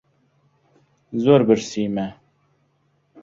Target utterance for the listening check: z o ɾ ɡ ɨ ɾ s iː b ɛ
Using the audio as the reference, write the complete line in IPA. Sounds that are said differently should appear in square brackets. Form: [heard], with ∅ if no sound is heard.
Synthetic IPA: z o ɾ [b] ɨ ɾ s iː [m] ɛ